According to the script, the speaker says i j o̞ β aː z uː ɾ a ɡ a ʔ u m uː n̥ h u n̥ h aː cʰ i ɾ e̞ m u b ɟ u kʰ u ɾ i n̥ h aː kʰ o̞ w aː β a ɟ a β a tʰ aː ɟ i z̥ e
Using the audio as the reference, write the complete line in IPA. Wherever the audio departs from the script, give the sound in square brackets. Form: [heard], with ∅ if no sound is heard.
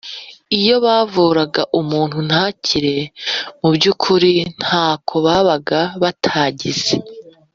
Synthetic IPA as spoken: i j o̞ β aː [v] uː ɾ a ɡ a ʔ u m uː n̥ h u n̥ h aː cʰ i ɾ e̞ m u b ɟ u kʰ u ɾ i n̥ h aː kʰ o̞ [β] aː β a [ɡ] a β a tʰ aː ɟ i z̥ e